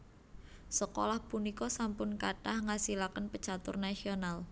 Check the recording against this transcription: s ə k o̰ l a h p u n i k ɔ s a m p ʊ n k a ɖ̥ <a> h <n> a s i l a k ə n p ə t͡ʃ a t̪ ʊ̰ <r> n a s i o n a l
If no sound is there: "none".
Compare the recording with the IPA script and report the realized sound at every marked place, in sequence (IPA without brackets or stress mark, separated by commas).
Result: a, ŋ, r